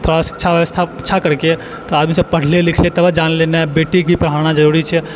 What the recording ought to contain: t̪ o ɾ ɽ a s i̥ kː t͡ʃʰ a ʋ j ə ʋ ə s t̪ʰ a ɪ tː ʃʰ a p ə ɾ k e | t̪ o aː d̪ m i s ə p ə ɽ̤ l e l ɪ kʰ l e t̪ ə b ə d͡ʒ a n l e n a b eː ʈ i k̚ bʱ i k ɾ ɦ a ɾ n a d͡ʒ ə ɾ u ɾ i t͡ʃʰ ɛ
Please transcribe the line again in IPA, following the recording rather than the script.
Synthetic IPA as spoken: t̪ʰ o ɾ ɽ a s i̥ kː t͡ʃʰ a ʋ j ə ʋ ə s t̪ʰ a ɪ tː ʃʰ a k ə ɾ k e | t̪ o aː d̪ m i s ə p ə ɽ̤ l e l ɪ kʰ l e t̪ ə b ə d͡ʒ a n l e n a b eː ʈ i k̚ bʱ i p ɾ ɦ a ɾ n a d͡ʒ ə ɾ u ɾ i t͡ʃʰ ɛ